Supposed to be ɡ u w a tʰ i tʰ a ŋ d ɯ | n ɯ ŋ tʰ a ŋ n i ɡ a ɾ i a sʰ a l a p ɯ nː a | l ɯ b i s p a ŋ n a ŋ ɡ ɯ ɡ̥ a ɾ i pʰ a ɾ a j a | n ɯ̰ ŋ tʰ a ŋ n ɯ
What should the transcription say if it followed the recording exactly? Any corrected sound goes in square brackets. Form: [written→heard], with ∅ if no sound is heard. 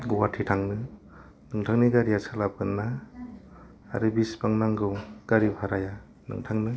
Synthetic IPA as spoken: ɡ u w a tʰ i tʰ a ŋ [d→n] ɯ | n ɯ ŋ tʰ a ŋ n i ɡ a ɾ i a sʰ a l a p ɯ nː a | [l→ɾ] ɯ b i s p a ŋ n a ŋ ɡ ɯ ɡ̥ a ɾ i pʰ a ɾ a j a | n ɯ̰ ŋ tʰ a ŋ n ɯ